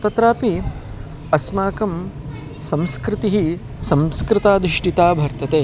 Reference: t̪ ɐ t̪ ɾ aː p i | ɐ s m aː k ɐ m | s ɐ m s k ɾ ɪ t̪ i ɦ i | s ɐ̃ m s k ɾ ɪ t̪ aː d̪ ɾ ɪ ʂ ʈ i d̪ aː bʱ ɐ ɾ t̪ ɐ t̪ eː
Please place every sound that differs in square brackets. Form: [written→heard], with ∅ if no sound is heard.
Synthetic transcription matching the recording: t̪ ɐ t̪ ɾ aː p i | ɐ s m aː k ɐ m | s ɐ m s k ɾ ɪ t̪ i ɦ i | s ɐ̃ m s k ɾ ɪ t̪ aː d̪ ɾ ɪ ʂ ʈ i [d̪→t̪] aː bʱ ɐ ɾ t̪ ɐ t̪ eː